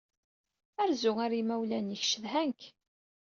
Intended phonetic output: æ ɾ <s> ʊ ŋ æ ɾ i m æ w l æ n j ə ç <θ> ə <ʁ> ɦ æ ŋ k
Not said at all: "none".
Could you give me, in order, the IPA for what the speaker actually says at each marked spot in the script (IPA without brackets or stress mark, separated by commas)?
z, ʃ, ð